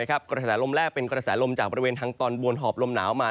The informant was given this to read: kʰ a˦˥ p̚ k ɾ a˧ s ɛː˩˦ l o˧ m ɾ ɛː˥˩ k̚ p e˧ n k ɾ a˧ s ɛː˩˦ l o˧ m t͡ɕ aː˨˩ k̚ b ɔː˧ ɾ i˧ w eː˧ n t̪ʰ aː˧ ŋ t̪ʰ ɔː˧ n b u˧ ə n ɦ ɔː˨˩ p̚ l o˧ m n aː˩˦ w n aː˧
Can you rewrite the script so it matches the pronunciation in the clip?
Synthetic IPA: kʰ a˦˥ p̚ k ɾ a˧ s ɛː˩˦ l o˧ m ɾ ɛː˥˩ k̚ p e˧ n k ɾ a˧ s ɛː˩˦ l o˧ m t͡ɕ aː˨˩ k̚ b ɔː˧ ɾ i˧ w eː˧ n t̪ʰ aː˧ ŋ t̪ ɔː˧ n b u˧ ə n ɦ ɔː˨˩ p̚ l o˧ m n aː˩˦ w m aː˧